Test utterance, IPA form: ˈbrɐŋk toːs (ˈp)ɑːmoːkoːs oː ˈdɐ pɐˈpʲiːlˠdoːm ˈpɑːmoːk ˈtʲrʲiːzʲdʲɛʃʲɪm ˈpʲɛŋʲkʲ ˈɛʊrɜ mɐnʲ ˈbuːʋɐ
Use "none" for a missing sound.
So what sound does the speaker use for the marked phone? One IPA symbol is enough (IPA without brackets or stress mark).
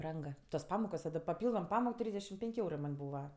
p